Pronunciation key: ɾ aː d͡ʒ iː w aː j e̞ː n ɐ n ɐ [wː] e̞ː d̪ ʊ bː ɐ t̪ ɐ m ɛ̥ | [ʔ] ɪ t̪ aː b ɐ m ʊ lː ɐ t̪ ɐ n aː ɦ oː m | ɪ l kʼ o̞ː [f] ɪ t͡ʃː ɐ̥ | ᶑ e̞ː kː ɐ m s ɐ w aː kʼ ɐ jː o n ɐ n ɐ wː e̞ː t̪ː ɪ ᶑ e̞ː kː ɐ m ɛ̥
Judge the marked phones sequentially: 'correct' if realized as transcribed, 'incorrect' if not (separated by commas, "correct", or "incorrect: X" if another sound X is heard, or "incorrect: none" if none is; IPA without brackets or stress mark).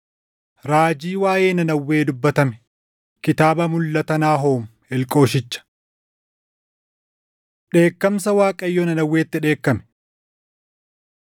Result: correct, incorrect: k, incorrect: ʃ